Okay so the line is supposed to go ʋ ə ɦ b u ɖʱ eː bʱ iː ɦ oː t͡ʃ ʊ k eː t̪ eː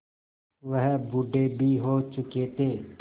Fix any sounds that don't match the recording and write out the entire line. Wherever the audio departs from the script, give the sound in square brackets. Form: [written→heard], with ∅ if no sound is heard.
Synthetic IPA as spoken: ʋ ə ɦ b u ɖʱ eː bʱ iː ɦ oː t͡ʃ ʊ k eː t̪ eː